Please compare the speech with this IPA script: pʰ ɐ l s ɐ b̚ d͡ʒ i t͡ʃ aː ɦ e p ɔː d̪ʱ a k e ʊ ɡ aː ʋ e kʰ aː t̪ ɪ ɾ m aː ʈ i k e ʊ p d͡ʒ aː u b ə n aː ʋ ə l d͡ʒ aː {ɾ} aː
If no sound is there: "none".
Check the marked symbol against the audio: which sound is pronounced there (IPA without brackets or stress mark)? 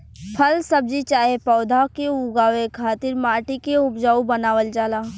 l